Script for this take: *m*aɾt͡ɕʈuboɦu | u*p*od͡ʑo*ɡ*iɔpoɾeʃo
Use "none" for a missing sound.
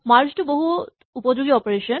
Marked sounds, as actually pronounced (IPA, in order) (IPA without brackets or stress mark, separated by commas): m, p, ɡ